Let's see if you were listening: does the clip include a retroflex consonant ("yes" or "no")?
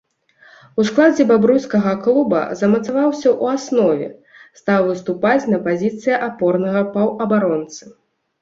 no